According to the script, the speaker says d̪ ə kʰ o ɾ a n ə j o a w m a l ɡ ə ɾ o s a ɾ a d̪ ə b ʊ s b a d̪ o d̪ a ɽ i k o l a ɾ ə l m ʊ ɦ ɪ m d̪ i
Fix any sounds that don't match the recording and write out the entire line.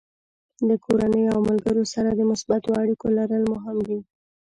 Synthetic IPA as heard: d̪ ə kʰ o ɾ a n ə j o a w m a l ɡ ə ɾ o s a ɾ a d̪ ə m ʊ s b a t̪ o a ɽ i k o l a ɾ ə l m ʊ ɦ ɪ m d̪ i